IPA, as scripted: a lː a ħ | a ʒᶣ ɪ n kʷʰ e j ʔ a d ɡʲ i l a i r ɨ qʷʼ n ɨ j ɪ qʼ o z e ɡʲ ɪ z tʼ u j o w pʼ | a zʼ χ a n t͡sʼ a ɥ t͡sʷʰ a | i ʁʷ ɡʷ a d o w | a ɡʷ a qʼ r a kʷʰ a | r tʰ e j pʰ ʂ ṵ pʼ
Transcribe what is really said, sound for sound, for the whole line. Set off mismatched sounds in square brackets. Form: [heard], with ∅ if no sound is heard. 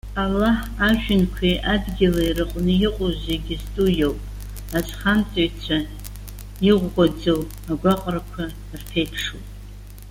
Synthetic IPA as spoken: a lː a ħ | a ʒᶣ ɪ n kʷʰ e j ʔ a d ɡʲ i l a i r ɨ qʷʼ n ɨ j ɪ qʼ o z e ɡʲ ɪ z tʼ u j o w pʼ | a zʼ χ a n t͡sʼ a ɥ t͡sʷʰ a | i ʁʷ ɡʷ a [d͡z] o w | a ɡʷ a qʼ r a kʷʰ a | r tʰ e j pʰ ʂ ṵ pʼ